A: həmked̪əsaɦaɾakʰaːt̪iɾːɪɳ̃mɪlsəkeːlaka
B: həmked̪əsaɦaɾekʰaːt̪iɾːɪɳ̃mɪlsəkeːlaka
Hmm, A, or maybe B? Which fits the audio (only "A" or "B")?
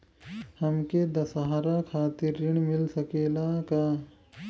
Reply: A